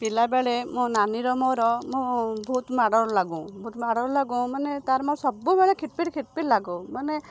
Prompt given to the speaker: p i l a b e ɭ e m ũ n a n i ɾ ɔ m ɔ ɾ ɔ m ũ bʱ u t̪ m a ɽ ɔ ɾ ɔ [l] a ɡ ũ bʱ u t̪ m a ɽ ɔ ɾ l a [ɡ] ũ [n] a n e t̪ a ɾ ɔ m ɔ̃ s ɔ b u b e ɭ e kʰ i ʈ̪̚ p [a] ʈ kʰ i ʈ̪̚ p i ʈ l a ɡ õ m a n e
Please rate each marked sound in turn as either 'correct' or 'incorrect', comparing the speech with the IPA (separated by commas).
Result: correct, correct, incorrect, incorrect